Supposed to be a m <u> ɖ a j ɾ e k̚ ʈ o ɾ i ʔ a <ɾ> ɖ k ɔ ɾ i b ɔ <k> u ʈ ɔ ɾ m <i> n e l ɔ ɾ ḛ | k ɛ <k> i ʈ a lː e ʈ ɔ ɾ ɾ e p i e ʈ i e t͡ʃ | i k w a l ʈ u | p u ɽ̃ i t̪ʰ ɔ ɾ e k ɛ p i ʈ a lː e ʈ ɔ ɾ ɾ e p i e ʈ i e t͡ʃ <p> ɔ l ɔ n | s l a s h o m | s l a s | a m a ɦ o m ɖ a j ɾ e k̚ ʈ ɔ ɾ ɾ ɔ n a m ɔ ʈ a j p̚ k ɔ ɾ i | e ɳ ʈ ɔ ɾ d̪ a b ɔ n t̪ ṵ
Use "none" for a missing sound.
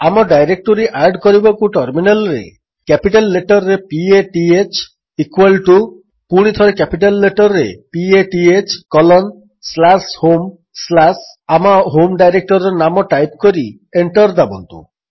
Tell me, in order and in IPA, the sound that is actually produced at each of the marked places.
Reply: ɔ, ɾ, k, i, p, k

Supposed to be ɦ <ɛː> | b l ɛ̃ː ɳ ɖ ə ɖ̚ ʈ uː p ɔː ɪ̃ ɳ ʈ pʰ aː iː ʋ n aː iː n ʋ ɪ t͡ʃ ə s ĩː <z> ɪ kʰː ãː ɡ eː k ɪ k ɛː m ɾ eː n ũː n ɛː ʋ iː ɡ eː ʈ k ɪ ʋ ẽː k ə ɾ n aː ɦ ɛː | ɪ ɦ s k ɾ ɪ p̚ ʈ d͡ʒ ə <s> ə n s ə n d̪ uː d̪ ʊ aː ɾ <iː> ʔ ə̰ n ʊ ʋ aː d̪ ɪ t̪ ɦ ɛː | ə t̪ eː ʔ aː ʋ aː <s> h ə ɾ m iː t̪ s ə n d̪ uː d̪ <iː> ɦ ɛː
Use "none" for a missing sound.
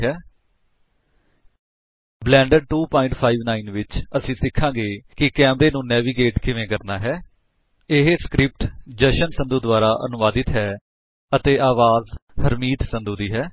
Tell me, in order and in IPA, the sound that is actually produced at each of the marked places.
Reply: ɛː, s, ʃ, aː, z, iː

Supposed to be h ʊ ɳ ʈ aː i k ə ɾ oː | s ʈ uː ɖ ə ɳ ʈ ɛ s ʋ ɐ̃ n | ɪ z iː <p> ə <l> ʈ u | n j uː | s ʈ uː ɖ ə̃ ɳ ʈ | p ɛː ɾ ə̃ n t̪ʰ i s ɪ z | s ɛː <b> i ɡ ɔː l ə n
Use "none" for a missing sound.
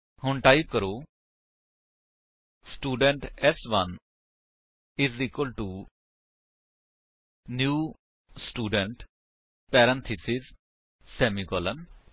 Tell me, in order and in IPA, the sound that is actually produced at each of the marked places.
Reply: k, l, m

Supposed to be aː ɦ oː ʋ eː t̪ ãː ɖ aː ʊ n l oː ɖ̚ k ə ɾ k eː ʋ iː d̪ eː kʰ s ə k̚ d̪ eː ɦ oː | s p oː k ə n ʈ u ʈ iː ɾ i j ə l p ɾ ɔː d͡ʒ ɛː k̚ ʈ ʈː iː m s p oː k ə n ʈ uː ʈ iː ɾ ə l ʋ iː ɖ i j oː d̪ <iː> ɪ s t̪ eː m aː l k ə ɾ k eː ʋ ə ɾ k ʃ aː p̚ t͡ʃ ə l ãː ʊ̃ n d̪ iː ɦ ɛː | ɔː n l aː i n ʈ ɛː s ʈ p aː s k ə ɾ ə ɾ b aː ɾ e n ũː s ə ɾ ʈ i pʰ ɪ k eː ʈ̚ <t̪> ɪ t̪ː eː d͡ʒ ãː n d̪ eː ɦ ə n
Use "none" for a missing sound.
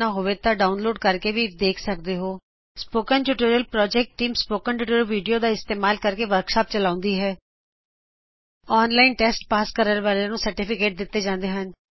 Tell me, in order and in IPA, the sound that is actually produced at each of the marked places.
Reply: aː, d̪

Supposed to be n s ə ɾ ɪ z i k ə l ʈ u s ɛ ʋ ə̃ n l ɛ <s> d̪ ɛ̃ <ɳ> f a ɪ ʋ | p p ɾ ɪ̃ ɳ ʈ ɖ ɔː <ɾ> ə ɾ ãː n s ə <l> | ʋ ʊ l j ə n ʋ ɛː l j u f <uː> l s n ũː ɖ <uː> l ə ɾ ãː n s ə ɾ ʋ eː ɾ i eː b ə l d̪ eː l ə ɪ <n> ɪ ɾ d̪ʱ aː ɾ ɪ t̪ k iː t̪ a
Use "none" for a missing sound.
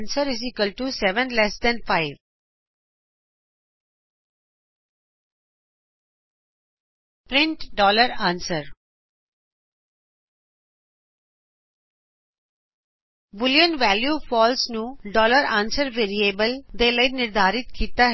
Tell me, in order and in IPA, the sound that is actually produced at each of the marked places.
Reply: s, n, l, ɾ, ɔː, ɔː, n

